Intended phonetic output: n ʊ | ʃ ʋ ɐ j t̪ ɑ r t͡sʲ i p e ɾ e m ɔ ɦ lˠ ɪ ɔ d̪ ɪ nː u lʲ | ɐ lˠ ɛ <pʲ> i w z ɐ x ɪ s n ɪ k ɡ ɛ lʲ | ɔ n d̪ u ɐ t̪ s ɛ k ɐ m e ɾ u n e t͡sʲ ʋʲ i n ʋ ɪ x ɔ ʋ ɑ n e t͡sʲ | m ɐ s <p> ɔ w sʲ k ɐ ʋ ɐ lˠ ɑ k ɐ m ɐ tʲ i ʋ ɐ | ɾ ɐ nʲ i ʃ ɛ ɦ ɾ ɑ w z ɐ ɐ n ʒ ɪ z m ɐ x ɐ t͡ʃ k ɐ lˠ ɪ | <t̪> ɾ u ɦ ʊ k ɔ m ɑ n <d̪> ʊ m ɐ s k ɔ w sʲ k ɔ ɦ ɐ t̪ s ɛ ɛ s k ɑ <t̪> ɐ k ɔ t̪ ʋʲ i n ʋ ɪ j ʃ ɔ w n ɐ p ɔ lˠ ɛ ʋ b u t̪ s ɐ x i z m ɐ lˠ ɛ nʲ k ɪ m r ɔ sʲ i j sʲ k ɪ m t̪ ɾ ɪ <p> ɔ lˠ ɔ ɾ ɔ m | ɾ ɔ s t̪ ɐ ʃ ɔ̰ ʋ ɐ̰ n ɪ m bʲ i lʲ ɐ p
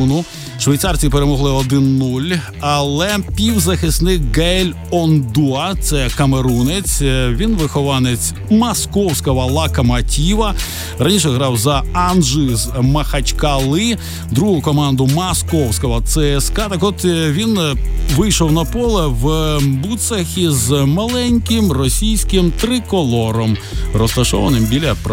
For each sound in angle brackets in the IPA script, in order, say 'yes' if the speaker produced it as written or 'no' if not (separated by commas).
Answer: yes, no, no, yes, yes, no